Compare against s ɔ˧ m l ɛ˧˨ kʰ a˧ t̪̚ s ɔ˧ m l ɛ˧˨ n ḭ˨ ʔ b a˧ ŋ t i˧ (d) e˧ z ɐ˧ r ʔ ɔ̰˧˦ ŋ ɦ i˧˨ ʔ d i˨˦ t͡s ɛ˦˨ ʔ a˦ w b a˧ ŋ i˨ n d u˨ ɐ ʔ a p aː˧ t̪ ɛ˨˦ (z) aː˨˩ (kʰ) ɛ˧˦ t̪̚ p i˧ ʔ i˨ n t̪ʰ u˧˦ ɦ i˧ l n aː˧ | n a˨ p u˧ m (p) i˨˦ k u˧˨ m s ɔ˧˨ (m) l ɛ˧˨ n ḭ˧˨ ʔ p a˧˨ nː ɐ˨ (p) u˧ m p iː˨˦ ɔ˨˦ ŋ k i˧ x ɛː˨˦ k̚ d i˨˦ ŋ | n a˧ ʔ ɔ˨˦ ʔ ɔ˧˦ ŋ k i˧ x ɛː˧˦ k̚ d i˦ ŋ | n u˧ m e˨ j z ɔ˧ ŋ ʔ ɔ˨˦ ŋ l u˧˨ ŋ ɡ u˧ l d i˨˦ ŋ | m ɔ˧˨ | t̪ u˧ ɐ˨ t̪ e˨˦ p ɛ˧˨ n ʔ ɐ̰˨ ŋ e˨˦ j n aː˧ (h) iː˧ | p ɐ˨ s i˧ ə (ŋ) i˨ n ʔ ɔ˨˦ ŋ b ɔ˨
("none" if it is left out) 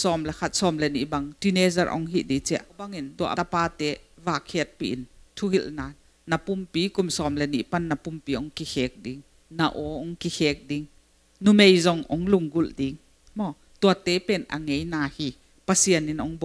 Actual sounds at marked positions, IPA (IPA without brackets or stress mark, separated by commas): n, v, kʰ, p, m, p, h, n